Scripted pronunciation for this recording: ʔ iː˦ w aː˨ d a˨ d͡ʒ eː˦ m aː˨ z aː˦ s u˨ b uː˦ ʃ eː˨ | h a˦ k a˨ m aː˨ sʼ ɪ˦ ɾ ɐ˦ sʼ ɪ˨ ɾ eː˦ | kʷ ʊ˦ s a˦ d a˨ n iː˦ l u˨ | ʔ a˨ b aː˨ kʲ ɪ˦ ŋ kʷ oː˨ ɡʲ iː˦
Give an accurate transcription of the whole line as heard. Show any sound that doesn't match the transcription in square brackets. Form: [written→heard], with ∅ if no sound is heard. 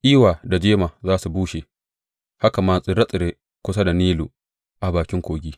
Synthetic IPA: ʔ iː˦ w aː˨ d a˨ d͡ʒ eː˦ m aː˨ z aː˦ s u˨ b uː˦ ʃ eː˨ | h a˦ k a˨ m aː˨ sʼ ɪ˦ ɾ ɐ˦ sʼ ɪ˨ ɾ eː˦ | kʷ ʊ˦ s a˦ d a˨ n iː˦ l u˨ | ʔ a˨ b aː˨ kʲ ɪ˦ ŋ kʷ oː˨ ɡʲ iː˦